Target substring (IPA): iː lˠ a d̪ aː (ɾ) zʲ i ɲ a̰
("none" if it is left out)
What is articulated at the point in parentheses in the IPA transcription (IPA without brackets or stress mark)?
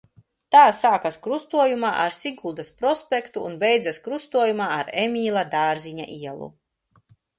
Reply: ɾ